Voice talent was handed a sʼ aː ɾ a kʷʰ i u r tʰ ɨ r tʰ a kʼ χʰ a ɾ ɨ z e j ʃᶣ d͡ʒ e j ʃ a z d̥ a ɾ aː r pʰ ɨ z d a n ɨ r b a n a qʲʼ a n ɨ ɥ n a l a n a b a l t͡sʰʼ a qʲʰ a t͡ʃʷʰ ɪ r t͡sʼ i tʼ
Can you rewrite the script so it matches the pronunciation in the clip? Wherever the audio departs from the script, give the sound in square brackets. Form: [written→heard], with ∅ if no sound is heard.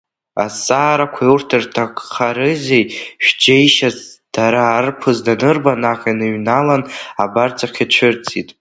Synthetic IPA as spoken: a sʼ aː ɾ a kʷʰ [i→a] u r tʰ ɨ r tʰ a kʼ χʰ a ɾ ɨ z e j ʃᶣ d͡ʒ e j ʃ a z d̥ a ɾ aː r pʰ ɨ z d a n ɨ r b a n a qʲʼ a n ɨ ɥ n a l a n a b a [l→r] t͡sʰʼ a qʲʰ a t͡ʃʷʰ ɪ r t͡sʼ i tʼ

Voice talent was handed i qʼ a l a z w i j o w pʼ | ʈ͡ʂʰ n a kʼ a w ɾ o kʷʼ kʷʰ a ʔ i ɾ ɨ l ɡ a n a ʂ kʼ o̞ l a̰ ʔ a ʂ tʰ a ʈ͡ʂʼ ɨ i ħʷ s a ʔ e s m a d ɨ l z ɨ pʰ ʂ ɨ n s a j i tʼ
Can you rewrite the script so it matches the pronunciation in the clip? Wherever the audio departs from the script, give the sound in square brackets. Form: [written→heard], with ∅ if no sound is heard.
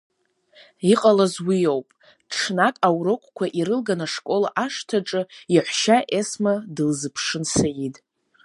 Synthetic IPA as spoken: i qʼ a l a z w i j o w pʼ | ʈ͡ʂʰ n a kʼ a w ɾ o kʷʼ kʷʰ a ʔ i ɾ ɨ l ɡ a n a ʂ kʼ o̞ l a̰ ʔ a ʂ tʰ a ʈ͡ʂʼ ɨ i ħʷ [s→ʃ] a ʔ e s m a d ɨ l z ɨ pʰ ʂ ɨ n s a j i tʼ

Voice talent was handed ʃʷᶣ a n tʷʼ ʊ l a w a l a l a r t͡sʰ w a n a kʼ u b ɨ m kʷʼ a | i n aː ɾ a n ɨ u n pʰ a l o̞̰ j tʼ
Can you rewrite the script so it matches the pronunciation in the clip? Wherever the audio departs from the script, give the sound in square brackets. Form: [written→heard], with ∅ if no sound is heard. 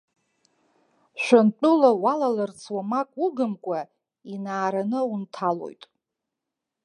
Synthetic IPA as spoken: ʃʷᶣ a n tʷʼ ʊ l a w a l a l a r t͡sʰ w a [n→m] a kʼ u [b→ɡ] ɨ m kʷʼ a | i n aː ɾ a n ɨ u n [pʰ→tʰ] a l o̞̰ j tʼ

